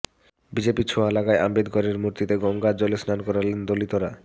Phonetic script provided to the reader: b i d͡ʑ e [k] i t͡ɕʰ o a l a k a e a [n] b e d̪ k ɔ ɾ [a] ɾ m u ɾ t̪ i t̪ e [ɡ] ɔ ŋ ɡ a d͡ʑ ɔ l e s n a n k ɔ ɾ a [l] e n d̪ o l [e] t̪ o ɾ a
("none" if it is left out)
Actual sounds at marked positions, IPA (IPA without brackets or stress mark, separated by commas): p, m, e, ɡ, l, i